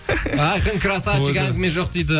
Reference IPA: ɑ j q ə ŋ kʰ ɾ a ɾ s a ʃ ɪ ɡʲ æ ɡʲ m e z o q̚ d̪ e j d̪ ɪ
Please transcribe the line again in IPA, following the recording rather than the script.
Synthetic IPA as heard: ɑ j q ə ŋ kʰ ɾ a s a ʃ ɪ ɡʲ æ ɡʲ m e ʒ o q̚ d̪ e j d̪ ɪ